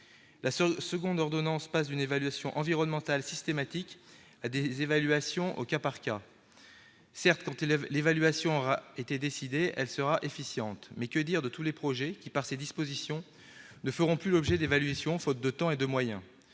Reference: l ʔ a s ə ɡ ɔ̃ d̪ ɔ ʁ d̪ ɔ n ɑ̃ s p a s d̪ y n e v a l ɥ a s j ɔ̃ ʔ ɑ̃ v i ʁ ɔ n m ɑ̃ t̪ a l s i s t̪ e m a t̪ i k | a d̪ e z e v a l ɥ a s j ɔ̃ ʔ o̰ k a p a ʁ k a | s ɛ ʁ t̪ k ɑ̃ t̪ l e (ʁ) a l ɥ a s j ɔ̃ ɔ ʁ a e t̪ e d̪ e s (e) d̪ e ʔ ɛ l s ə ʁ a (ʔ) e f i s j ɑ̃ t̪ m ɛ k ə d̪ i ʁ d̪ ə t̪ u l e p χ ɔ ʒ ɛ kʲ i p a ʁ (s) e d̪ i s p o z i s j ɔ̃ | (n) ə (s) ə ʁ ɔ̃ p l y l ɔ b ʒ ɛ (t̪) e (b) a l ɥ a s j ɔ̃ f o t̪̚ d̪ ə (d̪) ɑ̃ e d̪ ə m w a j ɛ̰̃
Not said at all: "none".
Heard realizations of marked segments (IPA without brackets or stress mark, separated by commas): v, i, ʔ, s, n, f, d̪, v, t̪